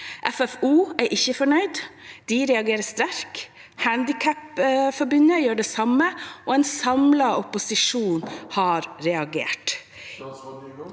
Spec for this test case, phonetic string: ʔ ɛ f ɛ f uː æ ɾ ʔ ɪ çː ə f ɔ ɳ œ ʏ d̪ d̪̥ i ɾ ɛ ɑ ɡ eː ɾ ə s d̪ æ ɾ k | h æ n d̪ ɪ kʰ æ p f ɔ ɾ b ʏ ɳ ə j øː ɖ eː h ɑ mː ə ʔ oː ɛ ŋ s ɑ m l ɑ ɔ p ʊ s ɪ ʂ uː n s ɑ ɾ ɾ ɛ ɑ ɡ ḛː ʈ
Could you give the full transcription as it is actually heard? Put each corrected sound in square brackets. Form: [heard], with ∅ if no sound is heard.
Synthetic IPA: ʔ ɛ f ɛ f uː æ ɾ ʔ ɪ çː ə f ɔ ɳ œ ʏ d̪ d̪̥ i ɾ ɛ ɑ ɡ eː ɾ ə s [t̪] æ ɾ k | h æ n d̪ ɪ kʰ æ p f ɔ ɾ b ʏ [n] ə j øː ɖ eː [s] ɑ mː ə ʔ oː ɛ [n] s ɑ m l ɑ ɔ p ʊ s ɪ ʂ uː n [h] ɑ ɾ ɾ ɛ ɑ ɡ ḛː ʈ